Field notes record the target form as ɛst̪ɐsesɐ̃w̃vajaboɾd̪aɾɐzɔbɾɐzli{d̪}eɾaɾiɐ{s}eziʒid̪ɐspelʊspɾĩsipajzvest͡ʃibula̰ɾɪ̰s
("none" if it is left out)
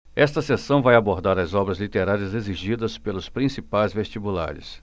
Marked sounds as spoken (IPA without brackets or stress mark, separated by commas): t̪, z